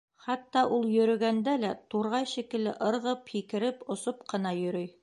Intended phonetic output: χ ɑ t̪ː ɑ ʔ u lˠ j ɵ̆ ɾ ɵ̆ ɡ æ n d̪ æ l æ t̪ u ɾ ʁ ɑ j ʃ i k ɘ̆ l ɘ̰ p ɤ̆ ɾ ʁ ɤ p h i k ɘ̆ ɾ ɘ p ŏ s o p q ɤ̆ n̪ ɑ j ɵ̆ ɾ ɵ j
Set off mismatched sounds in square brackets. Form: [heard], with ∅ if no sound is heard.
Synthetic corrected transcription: χ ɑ t̪ː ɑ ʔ u lˠ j ɵ̆ ɾ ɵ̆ ɡ æ n d̪ æ l æ t̪ u ɾ ʁ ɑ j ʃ i k ɘ̆ l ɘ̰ [ʔ] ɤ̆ ɾ ʁ ɤ p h i k ɘ̆ ɾ ɘ p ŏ s o p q ɤ̆ n̪ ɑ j ɵ̆ ɾ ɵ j